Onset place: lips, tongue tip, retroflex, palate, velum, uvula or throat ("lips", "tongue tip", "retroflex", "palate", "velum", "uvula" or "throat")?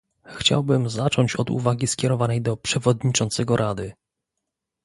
velum